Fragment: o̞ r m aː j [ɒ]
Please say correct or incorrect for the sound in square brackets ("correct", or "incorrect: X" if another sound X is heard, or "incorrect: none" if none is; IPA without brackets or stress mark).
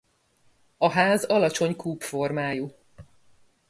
incorrect: u